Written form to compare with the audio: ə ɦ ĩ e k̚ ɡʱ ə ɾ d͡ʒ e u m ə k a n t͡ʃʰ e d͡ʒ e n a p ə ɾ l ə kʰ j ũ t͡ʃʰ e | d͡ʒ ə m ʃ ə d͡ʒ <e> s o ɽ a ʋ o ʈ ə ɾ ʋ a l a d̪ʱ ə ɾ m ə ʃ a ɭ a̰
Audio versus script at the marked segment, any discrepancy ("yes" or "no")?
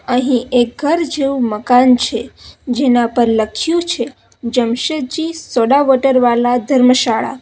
yes